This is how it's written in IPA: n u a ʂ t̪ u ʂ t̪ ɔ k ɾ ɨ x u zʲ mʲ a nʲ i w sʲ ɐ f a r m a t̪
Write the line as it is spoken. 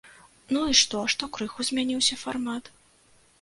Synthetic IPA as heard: n u i ʂ t̪ ɔ ʂ t̪ ɔ k ɾ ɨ x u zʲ mʲ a nʲ i w sʲ ɐ f a r m a t̪